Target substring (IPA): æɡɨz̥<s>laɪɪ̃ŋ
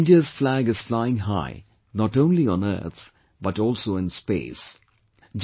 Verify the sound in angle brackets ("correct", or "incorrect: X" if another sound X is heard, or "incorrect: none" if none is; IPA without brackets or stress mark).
incorrect: f